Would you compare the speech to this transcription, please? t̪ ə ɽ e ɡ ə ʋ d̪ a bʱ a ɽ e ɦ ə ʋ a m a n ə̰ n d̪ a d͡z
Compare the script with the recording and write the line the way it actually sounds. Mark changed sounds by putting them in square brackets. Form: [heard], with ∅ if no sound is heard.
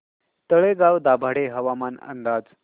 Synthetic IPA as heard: t̪ ə [ɭ] e ɡ [a] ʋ d̪ a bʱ a ɽ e ɦ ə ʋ a m a n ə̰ n d̪ a d͡z